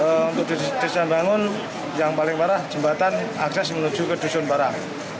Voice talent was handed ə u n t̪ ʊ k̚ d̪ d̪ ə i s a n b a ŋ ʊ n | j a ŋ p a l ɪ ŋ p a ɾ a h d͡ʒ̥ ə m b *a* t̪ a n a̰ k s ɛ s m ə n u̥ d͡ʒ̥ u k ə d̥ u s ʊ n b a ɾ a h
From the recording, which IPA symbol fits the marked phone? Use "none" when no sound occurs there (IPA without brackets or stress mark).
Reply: a